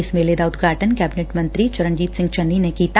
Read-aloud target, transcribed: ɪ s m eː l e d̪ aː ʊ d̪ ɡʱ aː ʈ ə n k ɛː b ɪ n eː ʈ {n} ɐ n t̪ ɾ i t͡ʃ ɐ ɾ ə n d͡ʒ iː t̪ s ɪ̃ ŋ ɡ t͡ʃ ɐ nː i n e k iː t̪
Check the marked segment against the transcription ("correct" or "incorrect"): incorrect